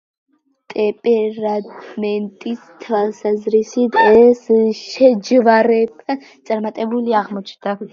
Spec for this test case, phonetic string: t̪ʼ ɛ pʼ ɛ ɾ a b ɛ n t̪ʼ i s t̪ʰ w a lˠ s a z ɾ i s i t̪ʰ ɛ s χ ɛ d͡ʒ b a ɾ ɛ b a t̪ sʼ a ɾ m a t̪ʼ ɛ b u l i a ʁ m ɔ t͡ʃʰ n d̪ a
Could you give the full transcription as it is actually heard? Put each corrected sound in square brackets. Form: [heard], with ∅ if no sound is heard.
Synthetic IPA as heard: t̪ʼ ɛ pʼ ɛ ɾ a [m] ɛ n t̪ʼ i s t̪ʰ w a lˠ s a z ɾ i s i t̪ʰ ɛ s [ʃ] ɛ d͡ʒ [v] a ɾ ɛ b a t̪ sʼ a ɾ m a t̪ʼ ɛ b u l i a ʁ m ɔ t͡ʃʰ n d̪ a